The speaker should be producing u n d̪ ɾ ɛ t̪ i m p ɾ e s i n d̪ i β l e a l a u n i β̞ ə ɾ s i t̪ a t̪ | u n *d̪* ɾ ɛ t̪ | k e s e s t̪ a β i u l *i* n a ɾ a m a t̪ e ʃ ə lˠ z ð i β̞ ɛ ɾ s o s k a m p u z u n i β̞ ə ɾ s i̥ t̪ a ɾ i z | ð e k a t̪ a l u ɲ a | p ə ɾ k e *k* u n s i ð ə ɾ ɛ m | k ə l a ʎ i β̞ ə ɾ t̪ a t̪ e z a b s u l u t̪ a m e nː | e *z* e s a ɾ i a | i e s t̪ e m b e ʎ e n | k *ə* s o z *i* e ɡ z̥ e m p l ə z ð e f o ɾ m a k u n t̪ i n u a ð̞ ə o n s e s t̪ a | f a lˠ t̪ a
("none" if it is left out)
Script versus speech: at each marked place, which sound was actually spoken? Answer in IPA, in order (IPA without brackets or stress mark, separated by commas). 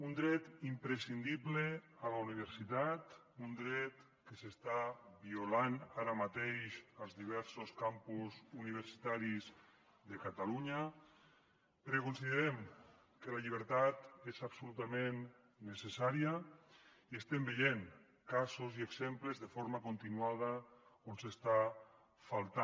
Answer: d̪, a, k, s, a, i